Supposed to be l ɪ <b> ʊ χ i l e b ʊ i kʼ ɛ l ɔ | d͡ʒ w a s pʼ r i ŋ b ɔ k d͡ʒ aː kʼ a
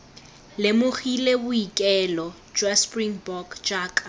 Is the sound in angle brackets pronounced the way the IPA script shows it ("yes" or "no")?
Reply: no